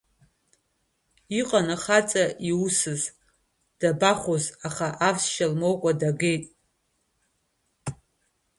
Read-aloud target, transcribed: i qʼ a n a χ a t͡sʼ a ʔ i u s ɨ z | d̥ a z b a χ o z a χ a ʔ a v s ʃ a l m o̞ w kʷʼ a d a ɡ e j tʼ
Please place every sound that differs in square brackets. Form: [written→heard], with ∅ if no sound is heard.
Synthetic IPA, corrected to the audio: i qʼ a n a χ a t͡sʼ a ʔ i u s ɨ z | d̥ a [z→∅] b a χ o z a χ a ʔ a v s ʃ a l m o̞ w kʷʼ a d a ɡ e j tʼ